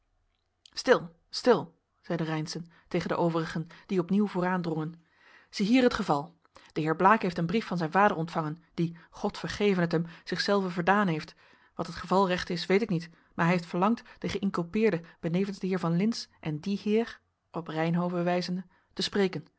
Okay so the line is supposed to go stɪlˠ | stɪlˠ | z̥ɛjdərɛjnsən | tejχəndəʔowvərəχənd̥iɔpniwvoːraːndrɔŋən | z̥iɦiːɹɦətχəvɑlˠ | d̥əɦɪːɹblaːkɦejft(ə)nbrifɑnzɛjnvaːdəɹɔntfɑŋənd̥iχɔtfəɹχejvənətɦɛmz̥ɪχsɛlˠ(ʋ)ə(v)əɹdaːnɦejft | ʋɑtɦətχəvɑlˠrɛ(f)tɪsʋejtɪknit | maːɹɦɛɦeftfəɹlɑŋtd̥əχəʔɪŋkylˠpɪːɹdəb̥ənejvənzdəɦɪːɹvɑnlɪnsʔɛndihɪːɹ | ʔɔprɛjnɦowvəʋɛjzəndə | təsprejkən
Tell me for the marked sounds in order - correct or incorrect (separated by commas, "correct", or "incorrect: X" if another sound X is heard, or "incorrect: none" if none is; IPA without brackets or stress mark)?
correct, incorrect: v, correct, incorrect: χ